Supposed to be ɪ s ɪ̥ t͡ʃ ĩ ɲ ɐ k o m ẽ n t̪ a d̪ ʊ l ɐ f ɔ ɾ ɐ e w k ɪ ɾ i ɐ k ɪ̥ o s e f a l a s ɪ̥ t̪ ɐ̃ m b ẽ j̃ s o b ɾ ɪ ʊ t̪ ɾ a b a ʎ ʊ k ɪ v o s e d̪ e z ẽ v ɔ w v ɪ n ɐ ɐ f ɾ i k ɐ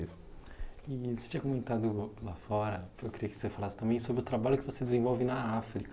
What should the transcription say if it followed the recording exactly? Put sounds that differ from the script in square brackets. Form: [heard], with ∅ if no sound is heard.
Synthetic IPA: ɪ s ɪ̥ t͡ʃ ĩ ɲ ɐ k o m ẽ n t̪ a d̪ ʊ l [a] f ɔ ɾ ɐ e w k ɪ ɾ i ɐ k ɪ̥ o s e f a l a s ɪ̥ t̪ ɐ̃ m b ẽ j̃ s o b ɾ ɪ ʊ t̪ ɾ a b a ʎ ʊ k ɪ v o s e d̪ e z ẽ v ɔ w v ɪ n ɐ [a] f ɾ i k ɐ